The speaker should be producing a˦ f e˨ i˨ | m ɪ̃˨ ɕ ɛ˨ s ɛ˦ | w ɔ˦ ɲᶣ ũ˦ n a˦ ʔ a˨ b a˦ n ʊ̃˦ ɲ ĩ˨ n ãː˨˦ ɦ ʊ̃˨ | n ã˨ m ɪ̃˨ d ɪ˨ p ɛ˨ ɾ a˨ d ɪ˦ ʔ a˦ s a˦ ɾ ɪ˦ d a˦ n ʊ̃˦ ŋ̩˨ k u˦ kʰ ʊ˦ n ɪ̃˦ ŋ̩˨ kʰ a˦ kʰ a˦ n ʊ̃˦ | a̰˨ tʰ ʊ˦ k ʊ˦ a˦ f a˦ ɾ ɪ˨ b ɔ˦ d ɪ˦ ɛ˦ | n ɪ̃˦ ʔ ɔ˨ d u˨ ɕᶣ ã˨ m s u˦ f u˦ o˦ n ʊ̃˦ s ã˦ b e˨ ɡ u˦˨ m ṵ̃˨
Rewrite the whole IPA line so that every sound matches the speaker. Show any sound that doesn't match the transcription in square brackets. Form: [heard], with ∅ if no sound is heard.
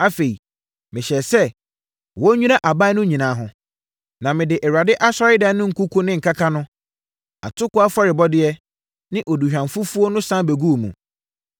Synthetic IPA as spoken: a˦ f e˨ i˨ | m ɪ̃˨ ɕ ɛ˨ s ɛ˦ | w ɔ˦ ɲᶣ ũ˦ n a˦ ʔ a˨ b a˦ n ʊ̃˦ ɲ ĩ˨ n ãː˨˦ ɦ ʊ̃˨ | n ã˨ m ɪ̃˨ d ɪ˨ [ʔ] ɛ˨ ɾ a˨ d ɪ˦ ʔ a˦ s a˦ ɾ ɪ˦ d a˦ n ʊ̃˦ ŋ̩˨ k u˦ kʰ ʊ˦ n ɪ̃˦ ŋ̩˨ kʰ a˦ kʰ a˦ n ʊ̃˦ | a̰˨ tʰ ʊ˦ k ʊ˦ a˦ f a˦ ɾ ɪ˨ b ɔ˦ d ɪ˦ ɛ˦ | n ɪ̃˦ ʔ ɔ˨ d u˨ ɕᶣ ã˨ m [f] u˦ f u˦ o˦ n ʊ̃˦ s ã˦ b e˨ ɡ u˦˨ m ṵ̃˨

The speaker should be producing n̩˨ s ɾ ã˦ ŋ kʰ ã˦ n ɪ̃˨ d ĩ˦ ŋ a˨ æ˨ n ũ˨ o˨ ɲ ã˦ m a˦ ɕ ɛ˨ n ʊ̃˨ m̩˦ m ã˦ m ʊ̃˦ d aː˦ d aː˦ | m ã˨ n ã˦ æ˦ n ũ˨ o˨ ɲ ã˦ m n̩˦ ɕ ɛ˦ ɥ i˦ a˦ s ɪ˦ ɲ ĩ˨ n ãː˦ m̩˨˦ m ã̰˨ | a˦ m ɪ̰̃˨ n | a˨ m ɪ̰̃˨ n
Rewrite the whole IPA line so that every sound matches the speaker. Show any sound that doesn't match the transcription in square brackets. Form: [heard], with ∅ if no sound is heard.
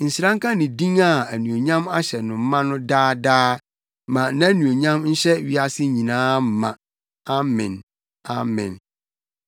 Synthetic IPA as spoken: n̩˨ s ɾ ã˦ ŋ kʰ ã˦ n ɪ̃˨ d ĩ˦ ŋ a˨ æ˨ n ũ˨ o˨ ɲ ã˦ m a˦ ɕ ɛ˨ n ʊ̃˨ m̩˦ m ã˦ [n] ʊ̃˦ d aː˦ d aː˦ | m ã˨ n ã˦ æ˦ n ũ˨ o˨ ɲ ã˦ m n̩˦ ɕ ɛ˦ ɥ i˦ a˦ s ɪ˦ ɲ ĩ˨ n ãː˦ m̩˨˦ m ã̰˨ | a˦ m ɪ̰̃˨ n | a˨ m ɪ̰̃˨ n

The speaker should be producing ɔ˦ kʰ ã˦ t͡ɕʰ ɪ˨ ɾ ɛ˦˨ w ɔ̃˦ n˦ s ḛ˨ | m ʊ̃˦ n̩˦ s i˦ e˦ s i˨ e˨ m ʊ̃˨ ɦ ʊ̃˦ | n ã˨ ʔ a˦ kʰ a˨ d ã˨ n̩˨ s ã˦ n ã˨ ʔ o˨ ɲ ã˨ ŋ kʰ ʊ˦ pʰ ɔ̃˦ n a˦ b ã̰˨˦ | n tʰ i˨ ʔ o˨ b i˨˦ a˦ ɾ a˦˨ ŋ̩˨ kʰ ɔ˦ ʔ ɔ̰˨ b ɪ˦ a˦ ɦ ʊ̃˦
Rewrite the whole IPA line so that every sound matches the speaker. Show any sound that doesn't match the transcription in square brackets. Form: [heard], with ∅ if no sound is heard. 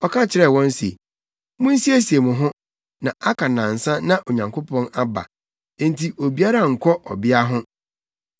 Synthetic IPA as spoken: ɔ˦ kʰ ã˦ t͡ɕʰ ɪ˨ ɾ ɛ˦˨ w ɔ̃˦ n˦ s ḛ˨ | m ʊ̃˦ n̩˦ s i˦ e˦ s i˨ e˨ m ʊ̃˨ ɦ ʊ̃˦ | n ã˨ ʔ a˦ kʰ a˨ [n] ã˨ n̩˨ s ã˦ n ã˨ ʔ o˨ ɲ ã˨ ŋ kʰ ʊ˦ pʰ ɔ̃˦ n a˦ b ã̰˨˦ | n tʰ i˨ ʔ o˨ b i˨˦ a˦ ɾ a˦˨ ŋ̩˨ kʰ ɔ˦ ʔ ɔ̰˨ b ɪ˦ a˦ ɦ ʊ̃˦

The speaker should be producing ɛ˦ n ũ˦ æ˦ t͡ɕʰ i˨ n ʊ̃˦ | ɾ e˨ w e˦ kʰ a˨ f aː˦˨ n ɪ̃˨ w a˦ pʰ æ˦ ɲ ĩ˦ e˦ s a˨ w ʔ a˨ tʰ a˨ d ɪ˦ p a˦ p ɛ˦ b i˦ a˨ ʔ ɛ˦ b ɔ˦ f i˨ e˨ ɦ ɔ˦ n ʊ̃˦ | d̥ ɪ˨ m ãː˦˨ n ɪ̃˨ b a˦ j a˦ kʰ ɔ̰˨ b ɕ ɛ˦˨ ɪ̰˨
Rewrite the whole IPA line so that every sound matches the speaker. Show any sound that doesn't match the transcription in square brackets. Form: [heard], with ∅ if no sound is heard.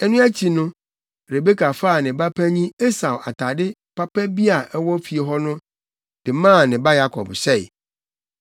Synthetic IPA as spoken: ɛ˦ n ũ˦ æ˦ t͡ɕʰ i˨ n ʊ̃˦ | ɾ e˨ [b] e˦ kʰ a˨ f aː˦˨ n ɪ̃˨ [b] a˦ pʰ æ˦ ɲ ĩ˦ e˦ s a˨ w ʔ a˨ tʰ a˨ d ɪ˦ p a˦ p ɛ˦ b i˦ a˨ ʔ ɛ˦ [w] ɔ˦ f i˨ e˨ ɦ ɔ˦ n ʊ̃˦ | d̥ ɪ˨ m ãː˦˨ n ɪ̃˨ b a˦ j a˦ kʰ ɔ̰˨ b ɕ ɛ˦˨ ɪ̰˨

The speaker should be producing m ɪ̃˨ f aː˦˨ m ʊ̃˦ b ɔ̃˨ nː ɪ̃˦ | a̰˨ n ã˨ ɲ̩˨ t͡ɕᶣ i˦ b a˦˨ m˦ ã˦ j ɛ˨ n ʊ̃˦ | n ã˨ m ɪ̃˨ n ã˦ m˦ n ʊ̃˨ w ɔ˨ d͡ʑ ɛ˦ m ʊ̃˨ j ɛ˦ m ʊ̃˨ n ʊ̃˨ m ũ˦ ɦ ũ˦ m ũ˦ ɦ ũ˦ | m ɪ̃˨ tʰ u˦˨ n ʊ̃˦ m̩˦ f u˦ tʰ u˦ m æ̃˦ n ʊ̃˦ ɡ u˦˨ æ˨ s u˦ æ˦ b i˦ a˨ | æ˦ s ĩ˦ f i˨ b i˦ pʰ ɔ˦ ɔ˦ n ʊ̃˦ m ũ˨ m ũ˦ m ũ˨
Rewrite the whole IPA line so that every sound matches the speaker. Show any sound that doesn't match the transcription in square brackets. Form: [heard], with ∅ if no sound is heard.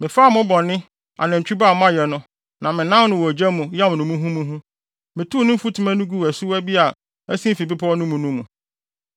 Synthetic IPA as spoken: m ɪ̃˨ f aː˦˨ m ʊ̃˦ b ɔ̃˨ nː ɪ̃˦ | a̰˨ n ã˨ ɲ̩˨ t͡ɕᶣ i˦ b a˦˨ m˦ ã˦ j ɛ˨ n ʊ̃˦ | n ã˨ m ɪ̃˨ n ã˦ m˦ n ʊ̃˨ w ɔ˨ d͡ʑ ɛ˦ m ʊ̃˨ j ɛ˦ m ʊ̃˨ n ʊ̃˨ m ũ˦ ɦ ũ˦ m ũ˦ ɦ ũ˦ | m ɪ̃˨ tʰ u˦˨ n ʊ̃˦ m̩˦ f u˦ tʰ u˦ m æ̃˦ n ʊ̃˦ ɡ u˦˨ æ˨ s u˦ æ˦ b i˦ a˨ | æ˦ s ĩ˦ f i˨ b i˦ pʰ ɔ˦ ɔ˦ n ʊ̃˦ m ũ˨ [n] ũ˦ m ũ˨

